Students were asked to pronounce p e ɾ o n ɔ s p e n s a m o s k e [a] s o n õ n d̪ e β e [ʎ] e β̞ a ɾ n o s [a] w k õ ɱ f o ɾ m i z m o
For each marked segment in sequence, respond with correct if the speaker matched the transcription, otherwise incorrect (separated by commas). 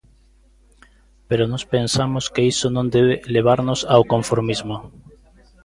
incorrect, incorrect, correct